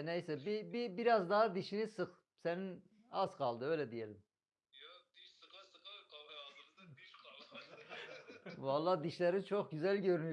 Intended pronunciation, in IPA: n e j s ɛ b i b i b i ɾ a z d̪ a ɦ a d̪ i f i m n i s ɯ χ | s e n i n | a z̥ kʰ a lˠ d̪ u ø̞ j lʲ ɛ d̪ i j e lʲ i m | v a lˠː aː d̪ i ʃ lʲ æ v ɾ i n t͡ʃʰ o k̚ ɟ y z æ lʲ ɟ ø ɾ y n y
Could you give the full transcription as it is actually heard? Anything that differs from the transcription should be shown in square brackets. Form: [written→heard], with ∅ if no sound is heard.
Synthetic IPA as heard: n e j s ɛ b i b i b i ɾ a z d̪ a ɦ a d̪ i [f→ʃ] i [m→∅] n i s ɯ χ | s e n i n | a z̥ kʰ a lˠ d̪ [u→ɯ] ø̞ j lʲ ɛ d̪ i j e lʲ i m | v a lˠː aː d̪ i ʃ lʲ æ [v→∅] ɾ i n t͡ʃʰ o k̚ ɟ y z æ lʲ ɟ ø ɾ y n y